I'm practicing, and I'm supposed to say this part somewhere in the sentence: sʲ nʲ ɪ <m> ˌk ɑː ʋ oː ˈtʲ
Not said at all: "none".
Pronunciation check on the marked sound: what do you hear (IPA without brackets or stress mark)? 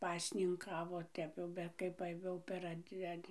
ŋ